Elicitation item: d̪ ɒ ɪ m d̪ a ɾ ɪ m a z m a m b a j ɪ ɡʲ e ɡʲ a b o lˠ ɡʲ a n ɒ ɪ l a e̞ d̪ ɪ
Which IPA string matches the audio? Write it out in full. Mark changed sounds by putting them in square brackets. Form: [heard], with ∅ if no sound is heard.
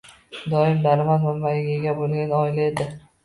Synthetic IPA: d̪ ɒ ɪ m d̪ a ɾ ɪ m a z m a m b a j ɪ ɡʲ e ɡʲ a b o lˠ ɡʲ a n ɒ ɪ l a e̞ d̪ ɪ